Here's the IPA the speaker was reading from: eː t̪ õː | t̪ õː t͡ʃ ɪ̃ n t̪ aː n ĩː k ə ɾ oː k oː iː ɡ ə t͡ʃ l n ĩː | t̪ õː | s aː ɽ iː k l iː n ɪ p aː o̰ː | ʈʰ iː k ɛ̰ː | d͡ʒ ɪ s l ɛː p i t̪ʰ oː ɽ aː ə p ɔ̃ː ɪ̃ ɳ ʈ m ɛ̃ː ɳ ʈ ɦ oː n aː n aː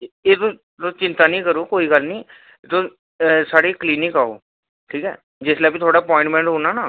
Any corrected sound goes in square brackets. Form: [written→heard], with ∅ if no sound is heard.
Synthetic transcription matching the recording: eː t̪ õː | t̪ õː t͡ʃ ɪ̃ n t̪ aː n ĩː k ə ɾ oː k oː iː ɡ ə [t͡ʃ→∅] l n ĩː | t̪ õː | s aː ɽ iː k l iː n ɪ [p→k] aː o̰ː | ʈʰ iː k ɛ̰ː | d͡ʒ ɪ s l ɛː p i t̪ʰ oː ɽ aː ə p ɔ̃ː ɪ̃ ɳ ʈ m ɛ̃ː ɳ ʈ ɦ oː n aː n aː